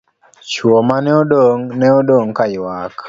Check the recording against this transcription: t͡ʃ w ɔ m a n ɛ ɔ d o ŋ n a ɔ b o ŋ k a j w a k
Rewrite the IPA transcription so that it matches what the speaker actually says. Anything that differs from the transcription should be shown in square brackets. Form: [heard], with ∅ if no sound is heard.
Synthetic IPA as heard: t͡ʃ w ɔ m a n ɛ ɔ d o ŋ n [ɛ] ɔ [d] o ŋ k a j w a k